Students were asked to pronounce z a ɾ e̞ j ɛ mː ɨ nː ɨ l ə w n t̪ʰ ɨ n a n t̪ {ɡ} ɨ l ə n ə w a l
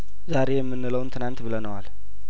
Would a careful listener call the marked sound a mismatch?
yes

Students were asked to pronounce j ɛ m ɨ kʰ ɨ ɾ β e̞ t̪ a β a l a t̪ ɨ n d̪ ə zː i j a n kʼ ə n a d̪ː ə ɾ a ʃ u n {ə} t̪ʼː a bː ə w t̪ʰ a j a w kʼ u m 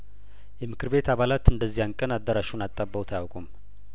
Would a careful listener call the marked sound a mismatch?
yes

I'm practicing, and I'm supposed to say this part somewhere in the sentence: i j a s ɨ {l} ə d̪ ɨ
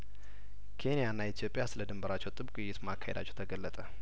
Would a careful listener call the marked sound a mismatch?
no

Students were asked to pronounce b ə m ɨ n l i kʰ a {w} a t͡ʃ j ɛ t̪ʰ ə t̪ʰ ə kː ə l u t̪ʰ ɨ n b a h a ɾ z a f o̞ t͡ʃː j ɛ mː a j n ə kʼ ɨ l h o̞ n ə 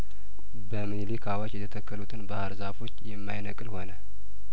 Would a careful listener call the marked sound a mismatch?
no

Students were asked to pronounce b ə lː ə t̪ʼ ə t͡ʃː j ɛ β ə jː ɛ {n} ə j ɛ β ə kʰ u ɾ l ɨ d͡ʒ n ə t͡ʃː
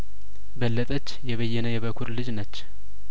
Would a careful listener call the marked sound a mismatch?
no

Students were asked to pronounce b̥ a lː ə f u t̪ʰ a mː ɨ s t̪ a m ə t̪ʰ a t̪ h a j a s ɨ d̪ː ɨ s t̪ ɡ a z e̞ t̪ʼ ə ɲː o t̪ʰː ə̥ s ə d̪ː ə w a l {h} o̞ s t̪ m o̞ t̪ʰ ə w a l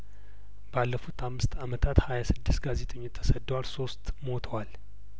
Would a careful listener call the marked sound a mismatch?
yes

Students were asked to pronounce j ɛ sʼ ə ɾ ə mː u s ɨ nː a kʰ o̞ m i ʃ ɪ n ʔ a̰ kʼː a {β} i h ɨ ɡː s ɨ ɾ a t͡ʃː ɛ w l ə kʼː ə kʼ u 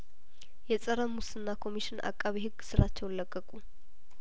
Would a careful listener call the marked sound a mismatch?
no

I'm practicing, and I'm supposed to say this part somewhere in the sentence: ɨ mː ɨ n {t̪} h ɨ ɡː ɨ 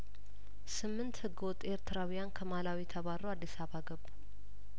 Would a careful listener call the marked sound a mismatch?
no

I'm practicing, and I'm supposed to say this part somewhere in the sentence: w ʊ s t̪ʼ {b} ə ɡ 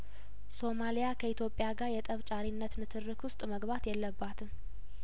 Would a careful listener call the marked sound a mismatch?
yes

